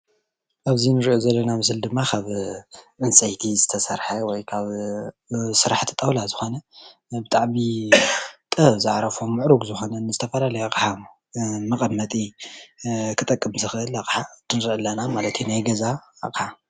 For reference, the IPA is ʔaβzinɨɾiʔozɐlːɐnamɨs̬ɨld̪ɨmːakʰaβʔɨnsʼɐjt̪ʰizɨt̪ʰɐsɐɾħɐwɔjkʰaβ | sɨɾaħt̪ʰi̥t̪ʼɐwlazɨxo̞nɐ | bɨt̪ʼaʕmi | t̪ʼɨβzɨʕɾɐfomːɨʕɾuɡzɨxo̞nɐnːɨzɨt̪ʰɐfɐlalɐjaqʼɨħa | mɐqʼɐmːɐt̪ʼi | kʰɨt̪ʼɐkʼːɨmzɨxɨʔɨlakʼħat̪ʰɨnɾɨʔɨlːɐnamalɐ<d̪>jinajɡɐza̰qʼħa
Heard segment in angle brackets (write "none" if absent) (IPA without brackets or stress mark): t̪